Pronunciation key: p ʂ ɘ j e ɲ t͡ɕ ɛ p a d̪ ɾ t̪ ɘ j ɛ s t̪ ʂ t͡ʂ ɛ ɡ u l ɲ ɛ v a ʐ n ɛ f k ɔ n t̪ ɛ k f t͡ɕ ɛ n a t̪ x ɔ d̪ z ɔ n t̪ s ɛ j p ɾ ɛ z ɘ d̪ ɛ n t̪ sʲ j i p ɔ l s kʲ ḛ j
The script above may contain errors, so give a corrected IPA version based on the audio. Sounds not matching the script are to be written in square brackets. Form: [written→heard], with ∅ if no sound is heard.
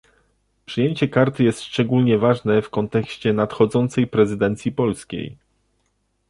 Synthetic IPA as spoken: p ʂ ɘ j e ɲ t͡ɕ ɛ [p→k] a [d̪→∅] ɾ t̪ ɘ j ɛ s t̪ ʂ t͡ʂ ɛ ɡ u l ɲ ɛ v a ʐ n ɛ f k ɔ n t̪ ɛ k [f→ɕ] t͡ɕ ɛ n a t̪ x ɔ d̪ z ɔ n t̪ s ɛ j p ɾ ɛ z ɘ d̪ ɛ n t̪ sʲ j i p ɔ l s kʲ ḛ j